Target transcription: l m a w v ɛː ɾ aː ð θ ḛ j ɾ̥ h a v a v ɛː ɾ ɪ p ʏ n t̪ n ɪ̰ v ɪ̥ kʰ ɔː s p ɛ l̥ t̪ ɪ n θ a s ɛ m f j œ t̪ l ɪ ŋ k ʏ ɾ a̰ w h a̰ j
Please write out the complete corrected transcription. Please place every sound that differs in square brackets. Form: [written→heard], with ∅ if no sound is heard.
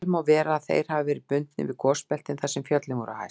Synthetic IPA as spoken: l m a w v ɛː ɾ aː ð θ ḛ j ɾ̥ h a v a v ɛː ɾ ɪ p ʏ n t̪ n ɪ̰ v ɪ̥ kʰ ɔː s p ɛ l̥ t̪ ɪ n θ a s ɛ m f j œ t̪ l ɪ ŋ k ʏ ɾ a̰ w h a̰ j